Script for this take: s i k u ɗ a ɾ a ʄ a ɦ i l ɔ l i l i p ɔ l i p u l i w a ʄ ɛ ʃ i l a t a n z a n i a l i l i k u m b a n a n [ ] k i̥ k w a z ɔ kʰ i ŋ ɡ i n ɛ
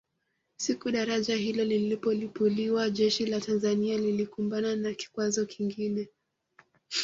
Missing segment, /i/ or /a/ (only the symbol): a